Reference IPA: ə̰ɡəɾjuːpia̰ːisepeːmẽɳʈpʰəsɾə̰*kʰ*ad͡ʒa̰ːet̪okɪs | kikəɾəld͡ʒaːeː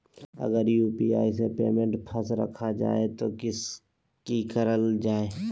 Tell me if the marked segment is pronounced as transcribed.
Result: yes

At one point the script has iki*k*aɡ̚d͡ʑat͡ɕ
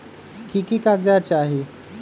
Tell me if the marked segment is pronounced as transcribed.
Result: yes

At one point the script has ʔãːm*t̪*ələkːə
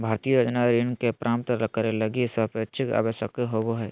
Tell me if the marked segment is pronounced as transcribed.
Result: yes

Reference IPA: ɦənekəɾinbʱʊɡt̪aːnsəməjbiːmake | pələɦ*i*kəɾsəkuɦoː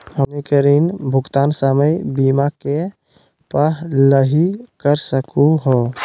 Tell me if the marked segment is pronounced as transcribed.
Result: yes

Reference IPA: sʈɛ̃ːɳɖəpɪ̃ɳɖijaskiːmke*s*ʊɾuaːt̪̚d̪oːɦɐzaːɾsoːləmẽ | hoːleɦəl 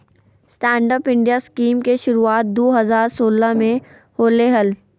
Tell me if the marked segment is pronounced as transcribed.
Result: no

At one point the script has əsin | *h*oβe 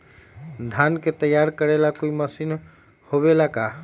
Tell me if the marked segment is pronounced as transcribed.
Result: yes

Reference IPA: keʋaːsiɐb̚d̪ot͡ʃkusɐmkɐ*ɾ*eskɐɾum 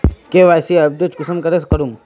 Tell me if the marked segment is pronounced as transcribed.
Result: yes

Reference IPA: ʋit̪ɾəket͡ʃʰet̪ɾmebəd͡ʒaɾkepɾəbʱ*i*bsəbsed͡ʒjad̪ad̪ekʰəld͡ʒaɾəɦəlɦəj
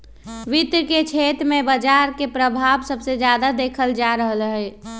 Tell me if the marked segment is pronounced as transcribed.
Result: no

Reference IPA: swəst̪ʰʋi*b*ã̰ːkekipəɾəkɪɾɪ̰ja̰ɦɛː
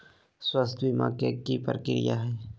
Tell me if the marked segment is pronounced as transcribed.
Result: no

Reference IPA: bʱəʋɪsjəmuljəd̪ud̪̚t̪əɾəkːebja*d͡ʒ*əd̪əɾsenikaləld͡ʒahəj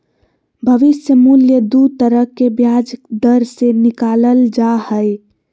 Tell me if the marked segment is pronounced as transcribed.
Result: yes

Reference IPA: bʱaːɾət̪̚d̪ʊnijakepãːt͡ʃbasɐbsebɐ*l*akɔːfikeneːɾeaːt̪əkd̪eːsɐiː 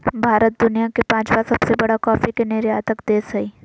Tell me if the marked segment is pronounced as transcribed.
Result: no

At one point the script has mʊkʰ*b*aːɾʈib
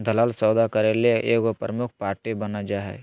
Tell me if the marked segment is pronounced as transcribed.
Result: no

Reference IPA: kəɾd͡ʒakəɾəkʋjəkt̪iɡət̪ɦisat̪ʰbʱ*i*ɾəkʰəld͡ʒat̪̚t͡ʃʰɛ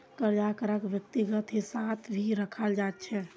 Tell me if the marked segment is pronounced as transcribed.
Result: yes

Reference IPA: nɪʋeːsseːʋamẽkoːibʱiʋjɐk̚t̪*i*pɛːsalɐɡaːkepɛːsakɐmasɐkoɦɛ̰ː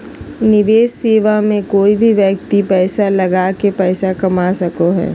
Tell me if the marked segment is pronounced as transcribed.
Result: yes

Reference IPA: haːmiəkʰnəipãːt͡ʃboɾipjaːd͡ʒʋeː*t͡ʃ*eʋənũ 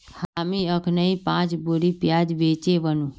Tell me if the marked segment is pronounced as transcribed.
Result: yes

